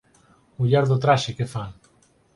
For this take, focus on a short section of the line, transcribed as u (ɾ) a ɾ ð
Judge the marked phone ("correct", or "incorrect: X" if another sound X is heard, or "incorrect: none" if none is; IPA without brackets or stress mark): incorrect: ʎ